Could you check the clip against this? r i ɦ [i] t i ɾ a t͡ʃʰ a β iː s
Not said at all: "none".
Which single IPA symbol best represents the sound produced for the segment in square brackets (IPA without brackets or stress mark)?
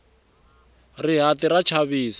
a